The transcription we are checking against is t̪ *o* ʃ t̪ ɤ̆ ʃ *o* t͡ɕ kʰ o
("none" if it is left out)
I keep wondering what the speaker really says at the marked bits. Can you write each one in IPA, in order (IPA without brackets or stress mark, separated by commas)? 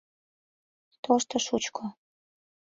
o, u